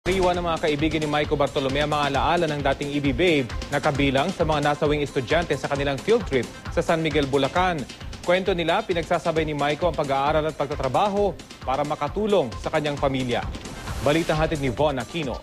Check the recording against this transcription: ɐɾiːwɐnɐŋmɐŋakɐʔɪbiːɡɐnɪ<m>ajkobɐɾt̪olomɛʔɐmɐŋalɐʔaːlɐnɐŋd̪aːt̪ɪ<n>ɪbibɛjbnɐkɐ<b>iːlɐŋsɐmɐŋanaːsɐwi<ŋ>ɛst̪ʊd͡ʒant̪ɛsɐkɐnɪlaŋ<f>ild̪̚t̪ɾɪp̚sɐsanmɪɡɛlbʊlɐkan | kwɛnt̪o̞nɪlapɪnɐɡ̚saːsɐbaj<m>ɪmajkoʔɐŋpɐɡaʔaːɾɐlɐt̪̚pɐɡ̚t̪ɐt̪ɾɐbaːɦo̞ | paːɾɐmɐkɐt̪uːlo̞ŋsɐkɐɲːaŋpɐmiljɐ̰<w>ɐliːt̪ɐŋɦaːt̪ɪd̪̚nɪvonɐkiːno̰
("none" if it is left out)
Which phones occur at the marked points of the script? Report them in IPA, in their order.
m, ŋ, b, ŋ, f, n, b

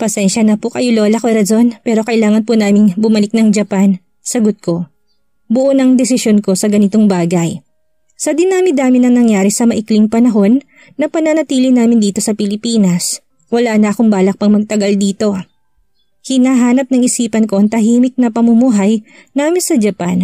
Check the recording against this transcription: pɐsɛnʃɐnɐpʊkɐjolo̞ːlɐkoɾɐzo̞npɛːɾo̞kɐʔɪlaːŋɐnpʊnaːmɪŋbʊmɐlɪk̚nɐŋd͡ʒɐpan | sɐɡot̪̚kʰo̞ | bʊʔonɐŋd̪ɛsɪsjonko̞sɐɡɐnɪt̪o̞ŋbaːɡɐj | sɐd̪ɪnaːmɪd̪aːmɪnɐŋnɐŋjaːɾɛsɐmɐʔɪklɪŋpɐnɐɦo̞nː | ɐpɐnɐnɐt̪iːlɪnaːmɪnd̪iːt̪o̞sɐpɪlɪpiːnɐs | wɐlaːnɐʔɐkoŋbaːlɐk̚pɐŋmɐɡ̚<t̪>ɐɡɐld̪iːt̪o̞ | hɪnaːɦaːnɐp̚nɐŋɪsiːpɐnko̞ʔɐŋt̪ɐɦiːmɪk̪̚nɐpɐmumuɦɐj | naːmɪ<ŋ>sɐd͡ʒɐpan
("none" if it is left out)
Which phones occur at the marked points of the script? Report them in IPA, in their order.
t̪, n

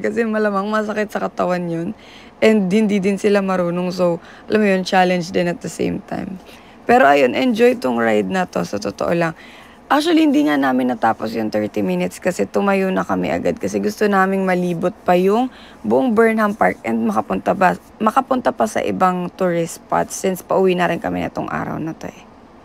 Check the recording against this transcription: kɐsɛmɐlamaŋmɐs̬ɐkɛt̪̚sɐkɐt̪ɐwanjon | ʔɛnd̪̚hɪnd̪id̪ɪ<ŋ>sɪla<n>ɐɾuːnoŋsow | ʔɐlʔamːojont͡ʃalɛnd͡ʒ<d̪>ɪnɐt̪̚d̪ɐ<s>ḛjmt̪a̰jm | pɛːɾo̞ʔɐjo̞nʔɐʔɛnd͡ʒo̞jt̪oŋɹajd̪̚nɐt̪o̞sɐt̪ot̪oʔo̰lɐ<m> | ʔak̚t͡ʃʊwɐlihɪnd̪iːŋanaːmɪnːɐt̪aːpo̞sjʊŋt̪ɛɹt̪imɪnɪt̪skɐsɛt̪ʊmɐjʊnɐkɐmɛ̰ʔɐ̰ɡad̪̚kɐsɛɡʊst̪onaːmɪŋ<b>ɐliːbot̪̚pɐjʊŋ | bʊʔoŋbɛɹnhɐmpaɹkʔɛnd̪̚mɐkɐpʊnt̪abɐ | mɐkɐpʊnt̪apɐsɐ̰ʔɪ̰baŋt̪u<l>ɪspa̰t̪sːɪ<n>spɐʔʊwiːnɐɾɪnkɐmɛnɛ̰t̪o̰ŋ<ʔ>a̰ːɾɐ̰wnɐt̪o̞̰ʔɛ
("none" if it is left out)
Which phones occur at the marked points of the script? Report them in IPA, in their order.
n, m, d̪, s, ŋ, m, ɹ, n, ʔ

